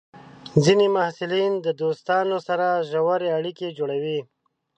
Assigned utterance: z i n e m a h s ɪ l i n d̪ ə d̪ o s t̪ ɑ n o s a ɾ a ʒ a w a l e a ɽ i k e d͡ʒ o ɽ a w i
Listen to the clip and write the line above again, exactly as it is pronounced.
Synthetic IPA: z i n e m a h s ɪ l i n d̪ ə d̪ o s t̪ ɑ n o s a ɾ a ʒ a w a ɾ e a ɽ i k e d͡ʒ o ɽ a w i